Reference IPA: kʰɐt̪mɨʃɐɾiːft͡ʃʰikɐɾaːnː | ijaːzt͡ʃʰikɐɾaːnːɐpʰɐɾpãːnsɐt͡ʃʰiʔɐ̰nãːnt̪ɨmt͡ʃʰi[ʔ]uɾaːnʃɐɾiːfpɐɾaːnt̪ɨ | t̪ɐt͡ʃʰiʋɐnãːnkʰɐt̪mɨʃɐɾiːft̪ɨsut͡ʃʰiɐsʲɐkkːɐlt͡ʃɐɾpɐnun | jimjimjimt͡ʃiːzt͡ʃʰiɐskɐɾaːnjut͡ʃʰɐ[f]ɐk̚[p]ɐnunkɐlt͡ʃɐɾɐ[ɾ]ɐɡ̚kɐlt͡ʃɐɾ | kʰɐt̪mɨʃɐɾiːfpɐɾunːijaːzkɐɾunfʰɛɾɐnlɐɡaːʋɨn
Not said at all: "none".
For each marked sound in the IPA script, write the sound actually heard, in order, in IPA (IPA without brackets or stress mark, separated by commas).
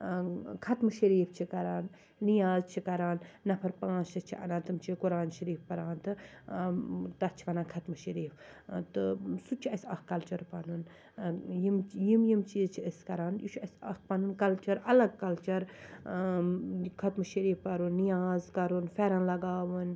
k, s, p, l